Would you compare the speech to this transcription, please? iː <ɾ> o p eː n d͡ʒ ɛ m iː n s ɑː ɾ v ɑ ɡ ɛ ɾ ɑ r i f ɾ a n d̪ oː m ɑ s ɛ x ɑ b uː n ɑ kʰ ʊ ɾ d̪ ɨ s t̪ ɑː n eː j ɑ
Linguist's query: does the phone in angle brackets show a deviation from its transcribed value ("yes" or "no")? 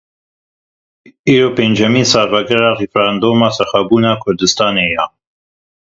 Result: no